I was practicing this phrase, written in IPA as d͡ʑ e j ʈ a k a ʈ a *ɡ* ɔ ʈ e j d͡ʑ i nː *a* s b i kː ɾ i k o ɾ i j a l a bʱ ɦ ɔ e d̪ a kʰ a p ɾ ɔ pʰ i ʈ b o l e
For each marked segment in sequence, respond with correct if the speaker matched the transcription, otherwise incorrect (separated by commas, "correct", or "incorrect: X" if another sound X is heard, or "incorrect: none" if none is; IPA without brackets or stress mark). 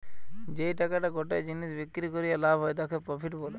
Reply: correct, incorrect: i